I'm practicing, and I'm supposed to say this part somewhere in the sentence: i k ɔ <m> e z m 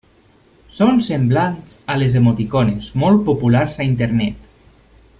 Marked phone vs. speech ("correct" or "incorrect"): incorrect